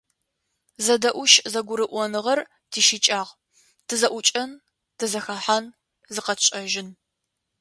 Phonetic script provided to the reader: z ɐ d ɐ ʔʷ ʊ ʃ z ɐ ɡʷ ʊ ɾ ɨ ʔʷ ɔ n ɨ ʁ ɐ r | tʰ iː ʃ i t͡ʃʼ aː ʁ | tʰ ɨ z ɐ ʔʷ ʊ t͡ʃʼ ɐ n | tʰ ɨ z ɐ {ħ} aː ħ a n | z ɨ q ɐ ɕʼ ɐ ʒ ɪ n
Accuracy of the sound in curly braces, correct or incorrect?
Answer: incorrect